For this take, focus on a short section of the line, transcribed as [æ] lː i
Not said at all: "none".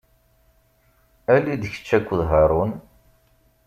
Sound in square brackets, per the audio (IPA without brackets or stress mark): æ